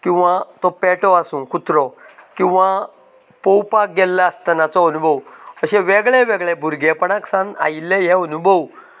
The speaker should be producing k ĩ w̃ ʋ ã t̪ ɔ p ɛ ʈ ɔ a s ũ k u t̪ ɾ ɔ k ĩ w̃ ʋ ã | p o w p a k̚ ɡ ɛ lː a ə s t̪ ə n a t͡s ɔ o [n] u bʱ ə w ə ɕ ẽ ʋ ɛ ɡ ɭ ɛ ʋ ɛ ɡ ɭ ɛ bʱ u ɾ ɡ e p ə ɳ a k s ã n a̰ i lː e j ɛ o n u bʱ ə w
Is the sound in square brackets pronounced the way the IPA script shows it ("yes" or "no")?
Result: yes